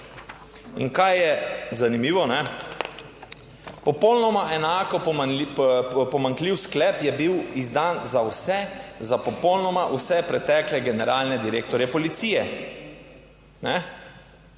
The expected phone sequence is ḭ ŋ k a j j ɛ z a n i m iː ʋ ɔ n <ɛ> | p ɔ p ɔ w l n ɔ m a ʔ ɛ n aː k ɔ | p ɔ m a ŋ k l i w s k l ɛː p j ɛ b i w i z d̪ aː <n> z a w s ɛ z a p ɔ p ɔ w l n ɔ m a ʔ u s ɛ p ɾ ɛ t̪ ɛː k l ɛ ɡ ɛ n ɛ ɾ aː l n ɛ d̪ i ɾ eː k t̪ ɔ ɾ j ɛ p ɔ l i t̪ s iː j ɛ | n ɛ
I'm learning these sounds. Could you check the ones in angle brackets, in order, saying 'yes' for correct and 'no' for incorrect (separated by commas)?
yes, yes